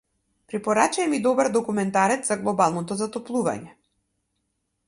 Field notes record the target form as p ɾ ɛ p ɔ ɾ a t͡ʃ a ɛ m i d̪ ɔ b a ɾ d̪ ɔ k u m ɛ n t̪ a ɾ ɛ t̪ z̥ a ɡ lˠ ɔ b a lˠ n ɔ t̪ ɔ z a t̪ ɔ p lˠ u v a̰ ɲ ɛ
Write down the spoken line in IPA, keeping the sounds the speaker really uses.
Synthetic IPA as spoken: p ɾ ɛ p ɔ ɾ a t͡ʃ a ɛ m i d̪ ɔ b a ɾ d̪ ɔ k u m ɛ n t̪ a ɾ ɛ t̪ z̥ a ɡ lˠ ɔ b a lˠ n ɔ t̪ ɔ z a t̪ ɔ p lˠ u v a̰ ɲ ɛ